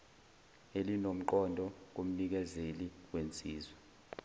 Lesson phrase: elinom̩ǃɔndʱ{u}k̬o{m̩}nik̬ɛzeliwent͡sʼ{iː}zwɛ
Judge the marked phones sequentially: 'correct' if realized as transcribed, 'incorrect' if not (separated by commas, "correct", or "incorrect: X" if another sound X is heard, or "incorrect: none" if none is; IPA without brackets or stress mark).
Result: incorrect: ɔ, correct, correct